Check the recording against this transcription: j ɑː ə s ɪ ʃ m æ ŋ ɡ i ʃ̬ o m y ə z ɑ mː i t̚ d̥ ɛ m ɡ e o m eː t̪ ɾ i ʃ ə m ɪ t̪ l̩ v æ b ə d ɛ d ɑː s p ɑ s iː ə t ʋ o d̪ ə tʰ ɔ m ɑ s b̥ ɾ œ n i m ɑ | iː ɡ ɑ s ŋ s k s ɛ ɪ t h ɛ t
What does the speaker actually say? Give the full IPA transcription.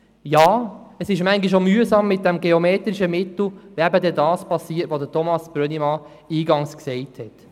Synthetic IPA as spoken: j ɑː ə s ɪ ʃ m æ ŋ ɡ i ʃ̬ o m y ə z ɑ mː ɪ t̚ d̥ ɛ m ɡ e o m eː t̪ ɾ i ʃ ə m ɪ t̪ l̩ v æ b ə d ɛ d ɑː s p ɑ s iː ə t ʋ o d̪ ə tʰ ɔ m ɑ s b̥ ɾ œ n i m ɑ | iː ɡ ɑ ŋ s k s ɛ ɪ t h ɛ t